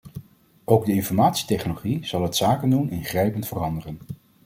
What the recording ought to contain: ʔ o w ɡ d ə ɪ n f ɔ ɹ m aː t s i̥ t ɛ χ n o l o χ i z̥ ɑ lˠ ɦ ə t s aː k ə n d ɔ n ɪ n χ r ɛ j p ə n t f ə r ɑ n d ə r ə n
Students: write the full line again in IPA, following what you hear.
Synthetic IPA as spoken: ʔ o w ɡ d ə ɪ n f ɔ ɹ m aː t s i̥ t ɛ χ n o l o χ i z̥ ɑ lˠ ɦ ə t s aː k ə n d u n ɪ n χ r ɛ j p ə n t f ə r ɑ n d ə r ə n